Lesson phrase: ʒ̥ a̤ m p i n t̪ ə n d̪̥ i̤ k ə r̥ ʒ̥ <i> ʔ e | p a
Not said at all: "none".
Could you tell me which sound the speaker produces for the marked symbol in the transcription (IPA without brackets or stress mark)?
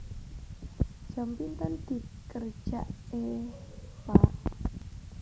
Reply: a